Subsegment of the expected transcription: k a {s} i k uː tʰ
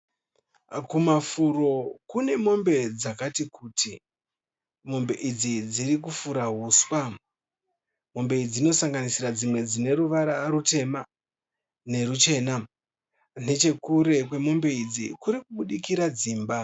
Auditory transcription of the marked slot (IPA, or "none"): t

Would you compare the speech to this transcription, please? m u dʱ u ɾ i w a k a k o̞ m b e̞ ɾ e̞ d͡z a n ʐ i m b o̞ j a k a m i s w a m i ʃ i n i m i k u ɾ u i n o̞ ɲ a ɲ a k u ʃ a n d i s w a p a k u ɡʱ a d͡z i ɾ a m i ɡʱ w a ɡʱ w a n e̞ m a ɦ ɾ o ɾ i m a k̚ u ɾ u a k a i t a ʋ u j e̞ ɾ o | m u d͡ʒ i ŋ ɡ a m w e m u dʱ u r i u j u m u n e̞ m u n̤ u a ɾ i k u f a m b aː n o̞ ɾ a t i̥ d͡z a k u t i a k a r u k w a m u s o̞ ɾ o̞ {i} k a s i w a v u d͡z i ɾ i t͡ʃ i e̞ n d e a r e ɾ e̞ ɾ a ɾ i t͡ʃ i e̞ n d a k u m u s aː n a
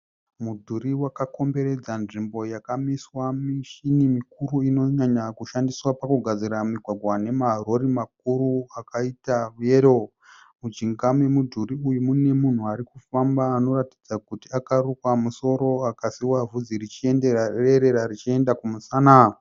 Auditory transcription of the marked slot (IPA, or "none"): a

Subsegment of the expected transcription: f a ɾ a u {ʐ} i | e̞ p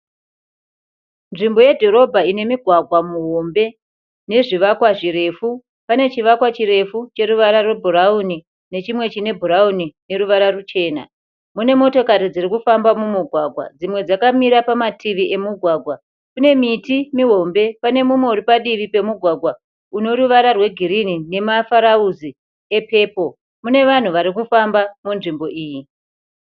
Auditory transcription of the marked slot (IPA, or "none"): z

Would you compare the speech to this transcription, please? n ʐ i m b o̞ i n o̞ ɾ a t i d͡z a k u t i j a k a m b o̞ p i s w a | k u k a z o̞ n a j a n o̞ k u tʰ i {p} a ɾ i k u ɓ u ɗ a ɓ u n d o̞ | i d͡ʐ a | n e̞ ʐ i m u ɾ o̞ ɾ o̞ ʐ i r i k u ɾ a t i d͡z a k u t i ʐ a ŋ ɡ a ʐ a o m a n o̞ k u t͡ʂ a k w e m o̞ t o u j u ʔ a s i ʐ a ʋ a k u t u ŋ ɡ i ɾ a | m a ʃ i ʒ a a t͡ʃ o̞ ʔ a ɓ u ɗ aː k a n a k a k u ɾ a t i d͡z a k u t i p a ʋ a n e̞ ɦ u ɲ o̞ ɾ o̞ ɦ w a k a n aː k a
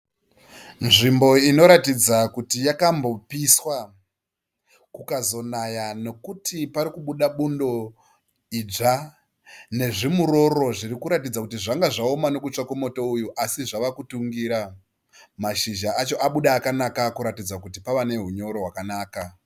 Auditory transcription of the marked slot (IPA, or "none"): p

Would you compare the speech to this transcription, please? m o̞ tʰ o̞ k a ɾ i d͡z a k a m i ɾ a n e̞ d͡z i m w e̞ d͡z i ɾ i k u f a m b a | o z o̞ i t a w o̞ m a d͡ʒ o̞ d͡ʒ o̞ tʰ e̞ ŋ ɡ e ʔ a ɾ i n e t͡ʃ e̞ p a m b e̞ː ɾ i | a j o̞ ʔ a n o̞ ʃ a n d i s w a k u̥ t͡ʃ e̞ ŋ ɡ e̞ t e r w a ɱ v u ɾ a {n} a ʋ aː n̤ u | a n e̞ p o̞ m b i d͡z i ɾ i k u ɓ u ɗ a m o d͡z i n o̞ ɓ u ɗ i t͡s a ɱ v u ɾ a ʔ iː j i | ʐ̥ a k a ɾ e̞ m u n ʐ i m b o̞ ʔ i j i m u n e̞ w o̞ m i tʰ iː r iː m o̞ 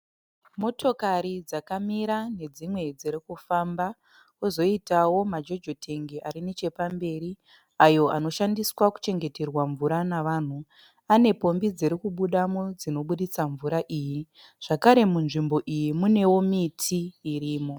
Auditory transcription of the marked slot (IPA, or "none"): n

